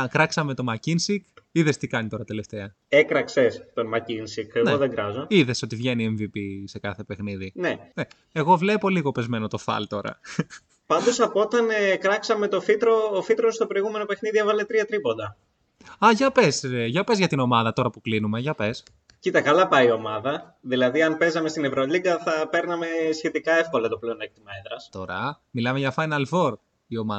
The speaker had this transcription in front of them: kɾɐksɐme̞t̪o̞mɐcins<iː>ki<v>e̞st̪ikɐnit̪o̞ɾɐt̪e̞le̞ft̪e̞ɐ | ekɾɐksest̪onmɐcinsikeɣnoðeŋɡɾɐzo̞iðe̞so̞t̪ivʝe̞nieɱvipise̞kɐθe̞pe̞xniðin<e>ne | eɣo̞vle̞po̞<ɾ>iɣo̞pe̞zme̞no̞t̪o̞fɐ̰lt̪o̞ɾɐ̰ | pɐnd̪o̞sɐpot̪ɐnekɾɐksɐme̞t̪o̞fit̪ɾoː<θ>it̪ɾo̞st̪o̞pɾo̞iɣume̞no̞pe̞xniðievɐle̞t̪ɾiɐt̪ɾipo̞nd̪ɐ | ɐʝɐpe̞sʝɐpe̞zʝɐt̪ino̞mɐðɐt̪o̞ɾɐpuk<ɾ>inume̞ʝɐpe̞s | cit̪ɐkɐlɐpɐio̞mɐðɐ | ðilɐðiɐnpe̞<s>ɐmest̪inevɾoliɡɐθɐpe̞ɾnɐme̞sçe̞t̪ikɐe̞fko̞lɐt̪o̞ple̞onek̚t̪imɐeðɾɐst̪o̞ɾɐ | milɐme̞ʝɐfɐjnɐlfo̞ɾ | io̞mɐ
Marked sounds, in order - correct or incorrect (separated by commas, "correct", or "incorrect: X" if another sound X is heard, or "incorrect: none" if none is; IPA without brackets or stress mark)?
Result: incorrect: i, incorrect: ð, correct, incorrect: l, incorrect: f, incorrect: l, incorrect: z